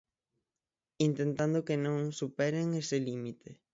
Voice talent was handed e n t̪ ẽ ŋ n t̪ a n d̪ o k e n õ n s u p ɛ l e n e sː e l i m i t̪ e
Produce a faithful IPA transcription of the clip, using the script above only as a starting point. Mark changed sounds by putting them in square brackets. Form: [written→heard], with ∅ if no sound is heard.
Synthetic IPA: [e→i] n t̪ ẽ [ŋ→∅] n t̪ a n d̪ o k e n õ [n→ŋ] s u p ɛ [l→ɾ] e [n→ŋ] e [sː→s] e l i m i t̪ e